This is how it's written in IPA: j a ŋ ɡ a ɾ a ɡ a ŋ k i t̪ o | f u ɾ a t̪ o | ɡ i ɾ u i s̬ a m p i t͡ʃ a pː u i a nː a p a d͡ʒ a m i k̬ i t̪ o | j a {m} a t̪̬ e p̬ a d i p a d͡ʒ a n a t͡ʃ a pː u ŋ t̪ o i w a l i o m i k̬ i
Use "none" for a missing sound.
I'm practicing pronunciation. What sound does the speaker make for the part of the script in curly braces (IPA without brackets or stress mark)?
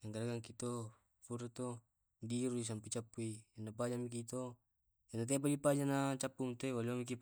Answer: n